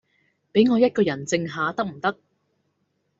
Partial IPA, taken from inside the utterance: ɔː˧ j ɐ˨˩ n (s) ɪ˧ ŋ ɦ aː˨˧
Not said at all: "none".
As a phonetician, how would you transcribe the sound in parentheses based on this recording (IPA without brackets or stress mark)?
t͡s